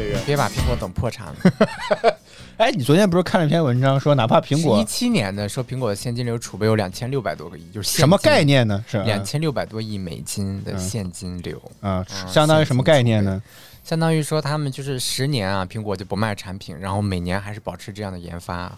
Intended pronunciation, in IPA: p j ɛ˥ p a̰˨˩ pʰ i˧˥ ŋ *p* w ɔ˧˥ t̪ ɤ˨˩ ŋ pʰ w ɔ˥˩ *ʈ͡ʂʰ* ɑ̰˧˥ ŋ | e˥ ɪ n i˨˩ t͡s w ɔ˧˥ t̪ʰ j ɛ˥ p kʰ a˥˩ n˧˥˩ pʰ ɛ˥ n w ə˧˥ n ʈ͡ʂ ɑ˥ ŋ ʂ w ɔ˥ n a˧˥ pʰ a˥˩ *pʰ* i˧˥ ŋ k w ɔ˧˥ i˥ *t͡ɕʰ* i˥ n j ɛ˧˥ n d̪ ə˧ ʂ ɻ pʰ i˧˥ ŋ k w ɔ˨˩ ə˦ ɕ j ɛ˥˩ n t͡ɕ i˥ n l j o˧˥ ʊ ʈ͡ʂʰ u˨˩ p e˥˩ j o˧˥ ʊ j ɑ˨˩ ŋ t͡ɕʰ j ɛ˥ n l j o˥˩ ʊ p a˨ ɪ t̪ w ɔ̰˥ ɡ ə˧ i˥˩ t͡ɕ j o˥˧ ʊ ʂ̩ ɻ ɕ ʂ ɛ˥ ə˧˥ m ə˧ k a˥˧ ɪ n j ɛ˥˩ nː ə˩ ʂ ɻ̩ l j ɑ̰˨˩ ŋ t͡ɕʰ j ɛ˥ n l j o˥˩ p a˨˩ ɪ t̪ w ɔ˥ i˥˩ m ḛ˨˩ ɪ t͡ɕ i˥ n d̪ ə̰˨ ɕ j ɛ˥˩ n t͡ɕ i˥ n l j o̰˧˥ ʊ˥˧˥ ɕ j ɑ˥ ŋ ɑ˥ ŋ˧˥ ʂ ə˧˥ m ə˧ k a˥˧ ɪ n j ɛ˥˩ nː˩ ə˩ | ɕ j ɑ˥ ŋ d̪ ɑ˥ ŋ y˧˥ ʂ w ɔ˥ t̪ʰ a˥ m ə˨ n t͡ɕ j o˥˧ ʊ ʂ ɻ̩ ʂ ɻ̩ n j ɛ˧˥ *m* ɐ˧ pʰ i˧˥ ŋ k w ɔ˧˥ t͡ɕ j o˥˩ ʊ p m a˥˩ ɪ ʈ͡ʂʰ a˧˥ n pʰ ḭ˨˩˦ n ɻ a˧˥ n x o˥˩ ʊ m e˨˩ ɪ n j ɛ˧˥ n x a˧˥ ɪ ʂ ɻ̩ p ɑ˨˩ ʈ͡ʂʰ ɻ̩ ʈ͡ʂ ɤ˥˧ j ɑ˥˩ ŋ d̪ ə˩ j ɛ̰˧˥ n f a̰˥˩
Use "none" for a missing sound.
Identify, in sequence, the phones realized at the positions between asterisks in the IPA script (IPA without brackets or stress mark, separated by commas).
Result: k, ʈ͡ʂʰ, pʰ, t͡ɕʰ, n